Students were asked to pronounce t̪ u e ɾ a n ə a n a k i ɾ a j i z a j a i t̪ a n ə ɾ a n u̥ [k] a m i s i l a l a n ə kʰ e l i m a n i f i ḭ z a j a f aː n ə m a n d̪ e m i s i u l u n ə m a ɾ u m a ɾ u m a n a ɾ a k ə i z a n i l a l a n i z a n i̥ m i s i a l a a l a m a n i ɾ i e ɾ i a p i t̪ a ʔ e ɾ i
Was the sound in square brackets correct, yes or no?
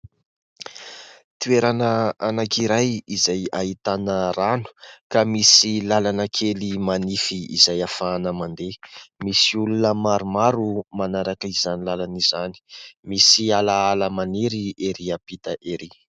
yes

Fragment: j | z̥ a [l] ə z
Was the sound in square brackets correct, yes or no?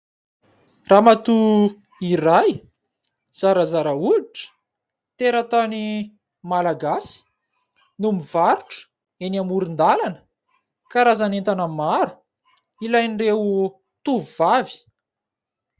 no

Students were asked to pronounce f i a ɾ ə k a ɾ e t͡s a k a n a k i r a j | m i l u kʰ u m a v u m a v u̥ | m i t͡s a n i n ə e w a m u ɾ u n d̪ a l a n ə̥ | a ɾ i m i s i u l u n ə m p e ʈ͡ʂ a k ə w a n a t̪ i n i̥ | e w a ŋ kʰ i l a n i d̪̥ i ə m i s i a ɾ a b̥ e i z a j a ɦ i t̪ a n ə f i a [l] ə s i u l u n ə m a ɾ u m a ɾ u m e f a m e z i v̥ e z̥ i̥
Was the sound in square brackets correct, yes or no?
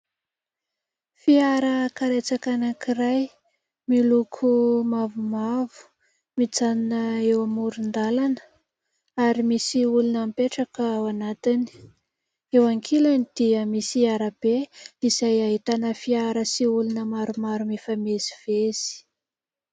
no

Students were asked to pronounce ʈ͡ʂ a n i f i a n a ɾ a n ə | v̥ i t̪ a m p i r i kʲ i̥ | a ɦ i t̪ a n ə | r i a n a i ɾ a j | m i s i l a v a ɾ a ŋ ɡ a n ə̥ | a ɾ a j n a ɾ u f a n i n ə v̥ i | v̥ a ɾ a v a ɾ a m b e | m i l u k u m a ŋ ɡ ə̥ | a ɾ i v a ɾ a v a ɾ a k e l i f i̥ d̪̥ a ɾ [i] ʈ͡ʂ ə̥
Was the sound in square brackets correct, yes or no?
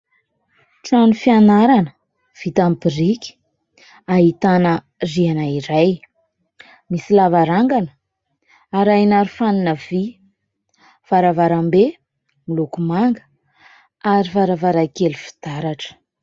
no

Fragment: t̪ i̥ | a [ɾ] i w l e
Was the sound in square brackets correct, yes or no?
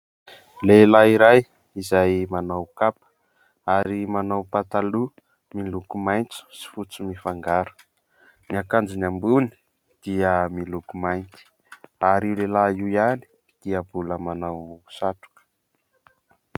yes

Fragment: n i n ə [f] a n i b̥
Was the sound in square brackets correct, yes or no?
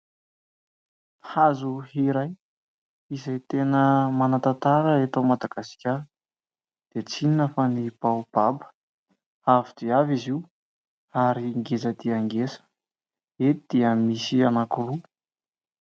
yes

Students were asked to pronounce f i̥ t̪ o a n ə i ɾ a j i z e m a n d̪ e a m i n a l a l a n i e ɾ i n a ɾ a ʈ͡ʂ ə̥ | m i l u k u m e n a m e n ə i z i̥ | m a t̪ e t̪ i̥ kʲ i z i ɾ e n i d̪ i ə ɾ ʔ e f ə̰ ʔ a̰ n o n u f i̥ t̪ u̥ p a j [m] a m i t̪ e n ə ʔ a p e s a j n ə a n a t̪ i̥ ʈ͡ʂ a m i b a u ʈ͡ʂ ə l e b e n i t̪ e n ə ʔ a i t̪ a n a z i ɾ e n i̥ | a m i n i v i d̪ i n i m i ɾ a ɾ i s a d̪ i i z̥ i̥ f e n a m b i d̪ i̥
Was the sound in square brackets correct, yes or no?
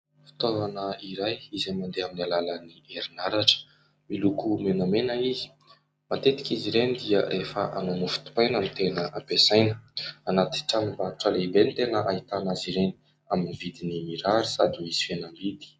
no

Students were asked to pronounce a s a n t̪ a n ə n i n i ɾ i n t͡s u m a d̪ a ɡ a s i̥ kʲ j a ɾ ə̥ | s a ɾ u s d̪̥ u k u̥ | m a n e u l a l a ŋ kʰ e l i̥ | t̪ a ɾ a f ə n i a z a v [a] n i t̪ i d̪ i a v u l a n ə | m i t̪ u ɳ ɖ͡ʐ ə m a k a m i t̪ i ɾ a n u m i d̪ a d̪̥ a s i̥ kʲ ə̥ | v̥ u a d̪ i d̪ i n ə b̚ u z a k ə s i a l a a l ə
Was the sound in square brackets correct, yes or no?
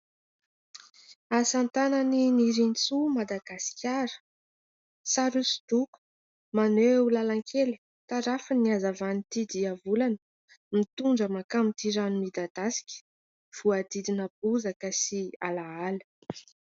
yes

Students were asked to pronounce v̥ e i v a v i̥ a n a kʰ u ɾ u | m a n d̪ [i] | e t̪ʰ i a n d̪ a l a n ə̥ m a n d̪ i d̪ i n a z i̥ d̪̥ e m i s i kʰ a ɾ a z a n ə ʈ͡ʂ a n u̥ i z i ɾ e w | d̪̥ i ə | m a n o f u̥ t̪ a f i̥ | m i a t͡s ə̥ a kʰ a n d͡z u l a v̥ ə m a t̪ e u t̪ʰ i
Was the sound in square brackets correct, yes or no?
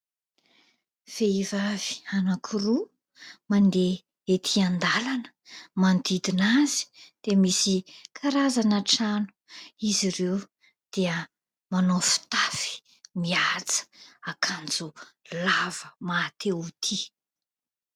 no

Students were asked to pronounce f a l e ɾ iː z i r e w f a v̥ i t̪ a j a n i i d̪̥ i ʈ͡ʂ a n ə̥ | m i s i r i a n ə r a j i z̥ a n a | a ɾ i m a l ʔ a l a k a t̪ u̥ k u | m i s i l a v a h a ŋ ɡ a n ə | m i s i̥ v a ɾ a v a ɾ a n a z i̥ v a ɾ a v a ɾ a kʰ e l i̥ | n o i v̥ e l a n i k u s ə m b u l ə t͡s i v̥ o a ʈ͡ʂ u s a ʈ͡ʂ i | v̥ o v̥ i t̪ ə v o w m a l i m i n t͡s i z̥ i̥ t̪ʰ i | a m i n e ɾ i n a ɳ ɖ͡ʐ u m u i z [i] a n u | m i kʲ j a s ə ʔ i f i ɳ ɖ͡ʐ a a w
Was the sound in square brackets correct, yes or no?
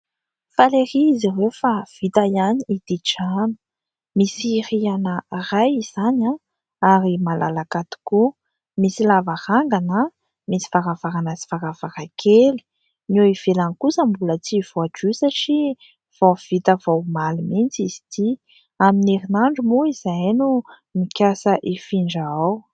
no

